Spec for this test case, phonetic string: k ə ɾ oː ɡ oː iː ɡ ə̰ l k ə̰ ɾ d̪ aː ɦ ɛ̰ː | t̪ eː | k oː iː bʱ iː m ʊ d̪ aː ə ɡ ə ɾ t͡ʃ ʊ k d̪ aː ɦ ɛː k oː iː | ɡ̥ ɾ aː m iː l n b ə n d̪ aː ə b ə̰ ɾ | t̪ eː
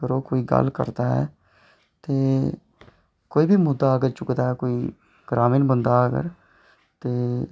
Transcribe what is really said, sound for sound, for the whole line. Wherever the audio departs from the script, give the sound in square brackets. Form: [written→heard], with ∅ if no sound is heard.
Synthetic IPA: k ə ɾ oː [ɡ→k] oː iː ɡ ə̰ l k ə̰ ɾ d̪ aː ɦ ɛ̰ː | t̪ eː | k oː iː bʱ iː m ʊ d̪ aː ə ɡ ə ɾ t͡ʃ ʊ k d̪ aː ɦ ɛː k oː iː | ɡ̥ ɾ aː m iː [l→∅] n b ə n d̪ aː ə [b→ɡ] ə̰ ɾ | t̪ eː